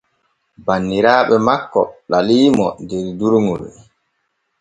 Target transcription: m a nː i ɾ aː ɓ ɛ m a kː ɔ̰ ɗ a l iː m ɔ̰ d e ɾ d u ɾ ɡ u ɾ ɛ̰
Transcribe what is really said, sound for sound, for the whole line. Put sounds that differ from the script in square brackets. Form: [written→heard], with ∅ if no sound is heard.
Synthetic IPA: [m→b] a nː i ɾ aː ɓ ɛ m a kː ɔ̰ ɗ a l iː m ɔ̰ d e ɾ d u ɾ [ɡ→ŋ] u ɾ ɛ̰